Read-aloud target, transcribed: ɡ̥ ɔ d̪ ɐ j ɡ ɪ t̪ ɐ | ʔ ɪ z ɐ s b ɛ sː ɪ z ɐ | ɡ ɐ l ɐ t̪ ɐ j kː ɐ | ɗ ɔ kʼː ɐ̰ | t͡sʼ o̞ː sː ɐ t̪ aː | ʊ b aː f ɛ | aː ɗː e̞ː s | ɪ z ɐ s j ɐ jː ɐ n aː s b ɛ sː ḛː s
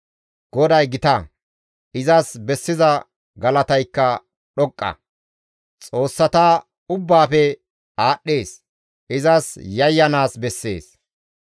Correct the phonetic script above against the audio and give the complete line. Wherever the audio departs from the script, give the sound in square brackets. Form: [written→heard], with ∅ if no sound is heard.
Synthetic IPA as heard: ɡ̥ ɔ d̪ ɐ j ɡ ɪ t̪ ɐ | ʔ ɪ z ɐ s b ɛ sː ɪ z ɐ | ɡ ɐ l ɐ t̪ ɐ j kː ɐ | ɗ ɔ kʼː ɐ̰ | t͡sʼ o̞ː sː ɐ t̪ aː | ʊ [b→bː] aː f ɛ | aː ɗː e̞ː s | ɪ z ɐ s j ɐ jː ɐ n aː s b ɛ sː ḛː s